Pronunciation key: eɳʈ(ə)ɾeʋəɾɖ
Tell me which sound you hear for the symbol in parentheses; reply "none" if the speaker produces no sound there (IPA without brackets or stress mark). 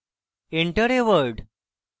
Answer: ə